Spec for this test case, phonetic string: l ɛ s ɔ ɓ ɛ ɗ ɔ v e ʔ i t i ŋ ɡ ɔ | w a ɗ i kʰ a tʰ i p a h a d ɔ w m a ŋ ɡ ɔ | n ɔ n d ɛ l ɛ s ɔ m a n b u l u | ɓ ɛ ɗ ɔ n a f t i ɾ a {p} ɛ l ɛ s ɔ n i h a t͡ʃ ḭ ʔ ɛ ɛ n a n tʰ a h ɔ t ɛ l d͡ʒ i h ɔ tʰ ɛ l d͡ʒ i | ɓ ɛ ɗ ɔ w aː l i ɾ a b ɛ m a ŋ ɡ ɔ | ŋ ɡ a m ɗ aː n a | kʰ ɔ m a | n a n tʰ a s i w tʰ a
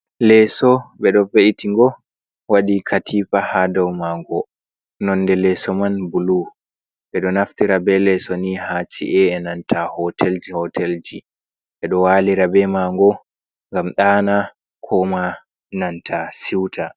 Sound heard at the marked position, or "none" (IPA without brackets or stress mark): b